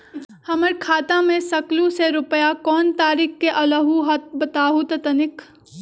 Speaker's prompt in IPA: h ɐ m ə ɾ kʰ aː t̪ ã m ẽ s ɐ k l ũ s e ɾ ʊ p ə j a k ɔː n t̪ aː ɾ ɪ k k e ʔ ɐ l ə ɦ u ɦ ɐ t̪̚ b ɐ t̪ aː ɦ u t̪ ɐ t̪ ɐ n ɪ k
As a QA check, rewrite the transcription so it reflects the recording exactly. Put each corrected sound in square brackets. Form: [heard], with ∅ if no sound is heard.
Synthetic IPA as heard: h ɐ m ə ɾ kʰ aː t̪ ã m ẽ s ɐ k l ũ s e ɾ ʊ p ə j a k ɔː n t̪ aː ɾ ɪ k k e ʔ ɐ l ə ɦ u ɦ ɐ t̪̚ b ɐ t̪ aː ɦ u t̪ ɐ t̪ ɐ n ɪ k